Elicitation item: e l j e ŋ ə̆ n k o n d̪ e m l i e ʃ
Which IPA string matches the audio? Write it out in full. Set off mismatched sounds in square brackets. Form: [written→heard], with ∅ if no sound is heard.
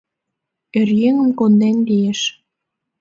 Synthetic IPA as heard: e [l→r] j e ŋ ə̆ [n→m] k o n d̪ e [m→n] l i e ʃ